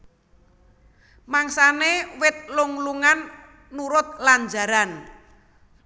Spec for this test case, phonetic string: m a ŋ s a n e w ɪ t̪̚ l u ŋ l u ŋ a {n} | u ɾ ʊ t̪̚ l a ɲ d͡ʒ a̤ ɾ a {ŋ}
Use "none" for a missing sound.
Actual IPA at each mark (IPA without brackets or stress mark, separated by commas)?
nː, n